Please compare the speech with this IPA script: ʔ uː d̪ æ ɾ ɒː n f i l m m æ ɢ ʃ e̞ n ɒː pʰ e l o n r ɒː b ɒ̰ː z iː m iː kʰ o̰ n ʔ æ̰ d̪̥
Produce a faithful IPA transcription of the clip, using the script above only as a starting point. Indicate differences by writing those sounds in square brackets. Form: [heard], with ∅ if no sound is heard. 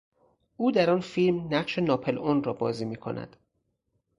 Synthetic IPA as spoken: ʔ uː d̪ æ ɾ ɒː n f i l m [n] æ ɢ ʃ e̞ n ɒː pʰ e l o n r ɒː b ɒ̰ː z iː m iː kʰ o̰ n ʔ æ̰ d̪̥